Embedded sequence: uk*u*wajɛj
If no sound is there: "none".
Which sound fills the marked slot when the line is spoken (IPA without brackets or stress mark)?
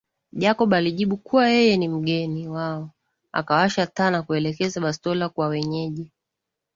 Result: u